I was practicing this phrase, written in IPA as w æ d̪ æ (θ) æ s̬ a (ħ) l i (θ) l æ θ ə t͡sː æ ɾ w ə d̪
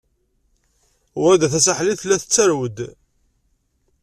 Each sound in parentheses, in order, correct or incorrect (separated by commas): correct, correct, correct